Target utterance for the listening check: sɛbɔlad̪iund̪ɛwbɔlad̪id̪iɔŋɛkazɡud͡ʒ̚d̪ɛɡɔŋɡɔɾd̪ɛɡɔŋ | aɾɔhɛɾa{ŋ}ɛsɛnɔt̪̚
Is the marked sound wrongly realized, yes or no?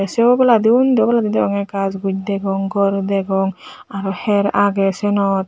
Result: yes